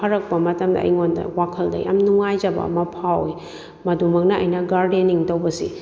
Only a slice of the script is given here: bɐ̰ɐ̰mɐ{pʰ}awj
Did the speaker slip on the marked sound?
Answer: no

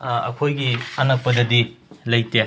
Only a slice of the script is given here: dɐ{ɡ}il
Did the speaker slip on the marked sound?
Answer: yes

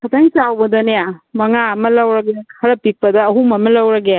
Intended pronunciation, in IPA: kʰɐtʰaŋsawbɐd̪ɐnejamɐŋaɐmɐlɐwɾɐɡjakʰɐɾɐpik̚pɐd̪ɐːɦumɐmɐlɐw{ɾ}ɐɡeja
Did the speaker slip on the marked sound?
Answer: no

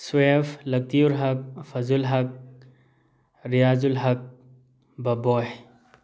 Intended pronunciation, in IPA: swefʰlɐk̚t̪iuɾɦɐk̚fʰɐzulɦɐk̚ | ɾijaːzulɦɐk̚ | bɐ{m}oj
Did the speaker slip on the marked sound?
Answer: yes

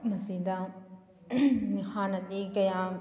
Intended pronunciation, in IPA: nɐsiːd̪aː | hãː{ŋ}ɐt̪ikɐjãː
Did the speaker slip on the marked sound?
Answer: yes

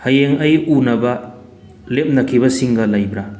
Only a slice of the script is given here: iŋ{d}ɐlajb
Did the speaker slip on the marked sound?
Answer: yes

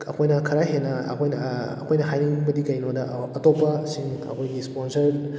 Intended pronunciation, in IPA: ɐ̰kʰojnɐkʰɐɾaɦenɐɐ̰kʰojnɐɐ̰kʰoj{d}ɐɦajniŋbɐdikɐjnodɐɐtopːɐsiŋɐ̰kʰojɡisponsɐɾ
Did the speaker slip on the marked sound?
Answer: yes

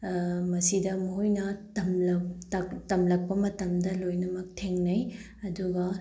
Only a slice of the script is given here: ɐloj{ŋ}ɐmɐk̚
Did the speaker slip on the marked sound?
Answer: yes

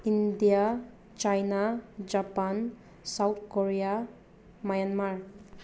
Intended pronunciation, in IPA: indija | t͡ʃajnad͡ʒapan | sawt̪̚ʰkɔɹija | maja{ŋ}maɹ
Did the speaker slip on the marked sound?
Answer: yes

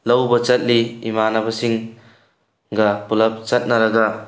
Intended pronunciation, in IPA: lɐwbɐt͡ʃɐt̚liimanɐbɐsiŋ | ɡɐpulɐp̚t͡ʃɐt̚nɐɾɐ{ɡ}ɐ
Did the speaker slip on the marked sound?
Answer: no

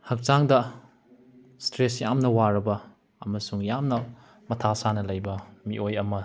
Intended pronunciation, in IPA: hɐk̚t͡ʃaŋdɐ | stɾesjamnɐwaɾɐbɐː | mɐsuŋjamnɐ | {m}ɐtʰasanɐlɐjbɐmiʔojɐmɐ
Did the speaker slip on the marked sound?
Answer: no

